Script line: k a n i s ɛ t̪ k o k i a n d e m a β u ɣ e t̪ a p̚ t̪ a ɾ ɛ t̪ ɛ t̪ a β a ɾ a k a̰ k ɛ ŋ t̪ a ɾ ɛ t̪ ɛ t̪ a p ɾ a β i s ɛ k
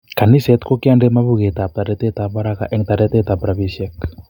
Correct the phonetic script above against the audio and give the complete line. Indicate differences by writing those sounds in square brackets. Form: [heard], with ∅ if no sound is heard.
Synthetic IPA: k a n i s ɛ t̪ k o k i a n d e m a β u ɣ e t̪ a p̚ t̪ a ɾ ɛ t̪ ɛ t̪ a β a ɾ a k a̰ [ʔ] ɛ ŋ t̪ a ɾ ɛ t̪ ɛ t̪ a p ɾ a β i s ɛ k